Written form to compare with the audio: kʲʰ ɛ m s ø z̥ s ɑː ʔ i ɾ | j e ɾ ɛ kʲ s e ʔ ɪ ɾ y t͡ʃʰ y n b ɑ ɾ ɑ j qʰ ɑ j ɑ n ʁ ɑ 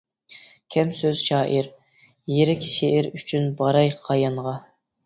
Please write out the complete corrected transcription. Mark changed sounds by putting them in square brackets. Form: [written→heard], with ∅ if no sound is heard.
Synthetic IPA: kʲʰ ɛ m s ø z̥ [s→ʃ] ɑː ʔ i ɾ | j e ɾ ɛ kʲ [s→ʃ] e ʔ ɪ ɾ y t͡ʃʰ y n b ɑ ɾ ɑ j qʰ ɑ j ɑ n ʁ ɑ